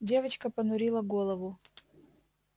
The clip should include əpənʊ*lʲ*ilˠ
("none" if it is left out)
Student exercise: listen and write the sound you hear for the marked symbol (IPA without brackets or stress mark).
ɾʲ